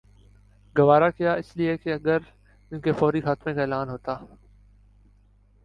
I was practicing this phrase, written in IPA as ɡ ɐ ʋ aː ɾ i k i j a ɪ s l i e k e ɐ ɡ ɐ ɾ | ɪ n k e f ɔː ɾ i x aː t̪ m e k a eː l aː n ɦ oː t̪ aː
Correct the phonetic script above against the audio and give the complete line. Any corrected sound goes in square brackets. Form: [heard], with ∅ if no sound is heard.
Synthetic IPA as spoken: ɡ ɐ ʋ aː ɾ [a] k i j a ɪ s l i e k e ɐ ɡ [ə] ɾ | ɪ n k e f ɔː ɾ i x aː t̪ m e k a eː l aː n ɦ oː t̪ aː